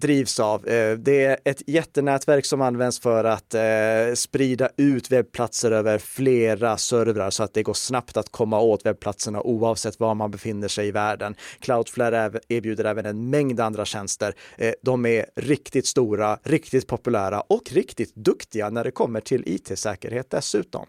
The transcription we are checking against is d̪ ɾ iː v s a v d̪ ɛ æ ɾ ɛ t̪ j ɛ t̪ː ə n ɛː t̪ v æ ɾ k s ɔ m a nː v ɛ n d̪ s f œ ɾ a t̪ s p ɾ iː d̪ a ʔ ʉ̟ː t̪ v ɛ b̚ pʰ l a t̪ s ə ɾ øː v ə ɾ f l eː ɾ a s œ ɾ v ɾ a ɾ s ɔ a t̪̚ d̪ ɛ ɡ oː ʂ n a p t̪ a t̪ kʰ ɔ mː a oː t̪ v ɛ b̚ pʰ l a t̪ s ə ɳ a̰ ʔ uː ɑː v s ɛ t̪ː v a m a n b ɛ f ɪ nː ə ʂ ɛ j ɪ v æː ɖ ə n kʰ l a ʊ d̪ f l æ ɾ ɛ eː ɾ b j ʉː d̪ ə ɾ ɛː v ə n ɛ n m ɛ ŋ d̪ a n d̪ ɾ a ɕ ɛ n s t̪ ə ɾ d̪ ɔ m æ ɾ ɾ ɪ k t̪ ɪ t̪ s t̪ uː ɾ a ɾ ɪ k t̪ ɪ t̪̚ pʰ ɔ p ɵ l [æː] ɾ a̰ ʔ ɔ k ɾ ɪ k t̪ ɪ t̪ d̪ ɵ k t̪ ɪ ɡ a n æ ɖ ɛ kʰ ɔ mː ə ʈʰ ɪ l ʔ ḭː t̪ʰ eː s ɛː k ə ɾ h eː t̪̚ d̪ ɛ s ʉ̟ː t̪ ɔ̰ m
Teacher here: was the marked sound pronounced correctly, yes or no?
yes